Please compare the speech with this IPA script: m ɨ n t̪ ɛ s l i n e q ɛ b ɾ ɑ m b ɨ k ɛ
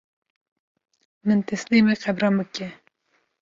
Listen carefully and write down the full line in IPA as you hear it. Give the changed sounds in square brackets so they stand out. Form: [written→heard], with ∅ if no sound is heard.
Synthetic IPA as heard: m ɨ n t̪ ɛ s l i [n→m] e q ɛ b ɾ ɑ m b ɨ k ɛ

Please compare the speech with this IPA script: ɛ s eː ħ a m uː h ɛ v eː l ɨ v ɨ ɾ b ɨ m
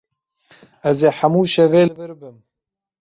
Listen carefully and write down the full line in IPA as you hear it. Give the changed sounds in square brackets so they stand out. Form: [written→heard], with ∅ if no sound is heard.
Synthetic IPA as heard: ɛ [s→z] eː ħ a m uː [h→ʃ] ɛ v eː l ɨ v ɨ ɾ b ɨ m

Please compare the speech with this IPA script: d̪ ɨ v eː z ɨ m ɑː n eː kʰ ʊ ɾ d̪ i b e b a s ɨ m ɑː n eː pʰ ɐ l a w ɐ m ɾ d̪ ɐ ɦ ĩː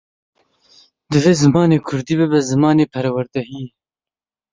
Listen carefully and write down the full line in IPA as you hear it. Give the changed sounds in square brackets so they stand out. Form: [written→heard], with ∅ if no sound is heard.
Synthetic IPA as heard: d̪ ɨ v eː z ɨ m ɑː n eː kʰ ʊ ɾ d̪ i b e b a [s→z] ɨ m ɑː n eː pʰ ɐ [l→ɾ] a w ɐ [m→∅] ɾ d̪ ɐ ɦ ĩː

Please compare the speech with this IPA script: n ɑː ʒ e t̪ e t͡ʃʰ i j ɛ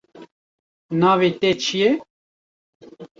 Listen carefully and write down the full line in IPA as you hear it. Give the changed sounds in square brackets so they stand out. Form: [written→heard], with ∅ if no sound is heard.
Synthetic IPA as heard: n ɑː [ʒ→v] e t̪ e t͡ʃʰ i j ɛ

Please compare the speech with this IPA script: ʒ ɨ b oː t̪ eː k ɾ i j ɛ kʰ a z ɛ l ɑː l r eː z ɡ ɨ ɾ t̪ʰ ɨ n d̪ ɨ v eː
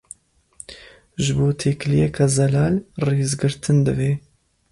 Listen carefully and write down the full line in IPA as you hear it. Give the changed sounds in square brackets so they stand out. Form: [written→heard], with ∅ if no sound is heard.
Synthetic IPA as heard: ʒ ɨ b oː [t̪→t̪ʰ] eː k [ɾ→l] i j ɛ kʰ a z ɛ l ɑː l r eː z ɡ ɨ ɾ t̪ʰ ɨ n d̪ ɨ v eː

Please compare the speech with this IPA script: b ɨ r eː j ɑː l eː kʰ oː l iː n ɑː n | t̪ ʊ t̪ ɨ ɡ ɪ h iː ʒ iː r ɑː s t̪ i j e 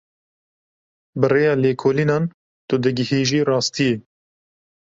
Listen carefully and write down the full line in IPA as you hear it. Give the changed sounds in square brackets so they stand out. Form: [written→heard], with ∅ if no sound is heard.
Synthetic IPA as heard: b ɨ r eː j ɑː l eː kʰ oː l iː n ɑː n | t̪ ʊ [t̪→d̪] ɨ ɡ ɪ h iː ʒ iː r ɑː s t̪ i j e

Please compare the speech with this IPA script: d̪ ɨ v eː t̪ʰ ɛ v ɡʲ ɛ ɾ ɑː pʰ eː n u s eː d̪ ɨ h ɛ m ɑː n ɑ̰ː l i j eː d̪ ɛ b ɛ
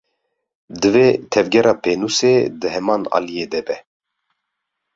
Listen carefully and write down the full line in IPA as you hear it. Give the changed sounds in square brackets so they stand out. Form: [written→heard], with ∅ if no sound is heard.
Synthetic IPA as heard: d̪ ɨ v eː t̪ʰ ɛ v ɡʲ ɛ ɾ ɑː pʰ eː n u s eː d̪ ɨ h ɛ m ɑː n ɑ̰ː l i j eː d̪ ɛ b ɛ

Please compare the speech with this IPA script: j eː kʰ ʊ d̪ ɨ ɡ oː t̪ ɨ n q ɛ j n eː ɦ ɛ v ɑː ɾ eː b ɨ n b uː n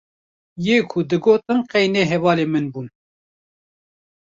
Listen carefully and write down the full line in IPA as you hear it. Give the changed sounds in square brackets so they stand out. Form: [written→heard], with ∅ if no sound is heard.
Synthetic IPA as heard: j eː kʰ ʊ d̪ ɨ ɡ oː t̪ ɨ n q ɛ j n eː ɦ ɛ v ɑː [ɾ→l] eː [b→m] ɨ n b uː n

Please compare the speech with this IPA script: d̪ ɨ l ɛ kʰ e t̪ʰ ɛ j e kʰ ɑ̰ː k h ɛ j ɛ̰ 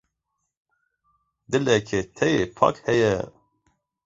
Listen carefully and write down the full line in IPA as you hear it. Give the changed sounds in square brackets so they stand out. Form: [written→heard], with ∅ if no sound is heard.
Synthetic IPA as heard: d̪ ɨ l ɛ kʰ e t̪ʰ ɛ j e [kʰ→pʰ] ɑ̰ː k h ɛ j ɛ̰

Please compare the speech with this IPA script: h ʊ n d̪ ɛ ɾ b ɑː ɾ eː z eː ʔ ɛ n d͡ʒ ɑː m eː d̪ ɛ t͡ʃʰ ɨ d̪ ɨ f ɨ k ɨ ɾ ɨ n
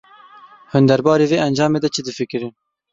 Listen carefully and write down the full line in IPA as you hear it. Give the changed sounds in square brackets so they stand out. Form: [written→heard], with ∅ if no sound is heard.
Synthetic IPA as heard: h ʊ n d̪ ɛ ɾ b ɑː ɾ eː [z→v] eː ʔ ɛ n d͡ʒ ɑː m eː d̪ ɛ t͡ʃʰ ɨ d̪ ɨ f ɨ k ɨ ɾ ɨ n

